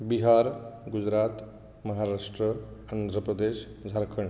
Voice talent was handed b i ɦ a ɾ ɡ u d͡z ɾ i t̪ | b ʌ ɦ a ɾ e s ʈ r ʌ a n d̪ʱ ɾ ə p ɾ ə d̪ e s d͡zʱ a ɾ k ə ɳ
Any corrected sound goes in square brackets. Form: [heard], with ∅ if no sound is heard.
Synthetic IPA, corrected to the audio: b i ɦ a ɾ ɡ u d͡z ɾ [a] t̪ | [m] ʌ ɦ a ɾ [a] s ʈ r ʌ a n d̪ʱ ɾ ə p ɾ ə d̪ e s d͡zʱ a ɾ [kʰ] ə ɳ